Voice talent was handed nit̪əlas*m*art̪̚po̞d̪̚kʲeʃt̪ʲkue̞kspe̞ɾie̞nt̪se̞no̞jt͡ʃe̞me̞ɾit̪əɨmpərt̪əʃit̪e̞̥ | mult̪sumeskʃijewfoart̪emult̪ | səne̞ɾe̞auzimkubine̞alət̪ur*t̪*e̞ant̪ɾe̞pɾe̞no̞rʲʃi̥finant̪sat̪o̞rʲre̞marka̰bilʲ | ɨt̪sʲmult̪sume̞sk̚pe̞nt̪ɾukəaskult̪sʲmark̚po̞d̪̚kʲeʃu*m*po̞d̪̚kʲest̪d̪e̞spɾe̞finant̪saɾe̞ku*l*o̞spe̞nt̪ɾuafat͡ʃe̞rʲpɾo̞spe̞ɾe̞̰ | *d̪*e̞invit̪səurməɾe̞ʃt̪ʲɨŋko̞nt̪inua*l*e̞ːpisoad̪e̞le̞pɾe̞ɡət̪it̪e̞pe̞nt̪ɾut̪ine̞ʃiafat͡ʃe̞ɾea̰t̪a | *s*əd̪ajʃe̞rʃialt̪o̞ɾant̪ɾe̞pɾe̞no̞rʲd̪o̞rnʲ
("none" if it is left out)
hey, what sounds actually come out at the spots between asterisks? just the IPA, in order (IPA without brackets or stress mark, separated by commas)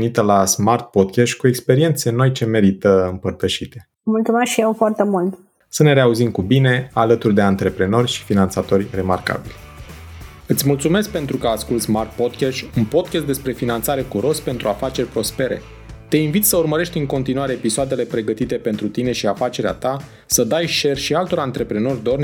m, d̪, n, ɾ, t̪, ɾ, s